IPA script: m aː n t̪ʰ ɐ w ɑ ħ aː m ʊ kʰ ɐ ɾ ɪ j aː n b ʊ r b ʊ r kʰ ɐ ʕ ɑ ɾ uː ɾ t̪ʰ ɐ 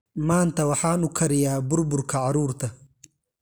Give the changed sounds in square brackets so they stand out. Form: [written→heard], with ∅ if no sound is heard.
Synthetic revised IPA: m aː n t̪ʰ ɐ w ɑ ħ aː [m→n] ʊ kʰ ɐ ɾ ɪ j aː [n→∅] b ʊ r b ʊ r kʰ ɐ ʕ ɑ ɾ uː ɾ t̪ʰ ɐ